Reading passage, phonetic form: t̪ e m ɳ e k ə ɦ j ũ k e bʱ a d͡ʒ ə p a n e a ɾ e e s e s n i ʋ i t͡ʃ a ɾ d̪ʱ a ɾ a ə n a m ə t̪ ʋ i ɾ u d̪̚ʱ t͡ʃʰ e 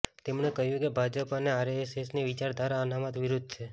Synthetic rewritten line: t̪ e m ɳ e k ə ɦ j ũ k e bʱ a d͡ʒ ə p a n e a ɾ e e s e s n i ʋ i t͡ʃ a ɾ d̪ʱ a ɾ a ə n a m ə t̪ ʋ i ɾ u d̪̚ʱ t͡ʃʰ e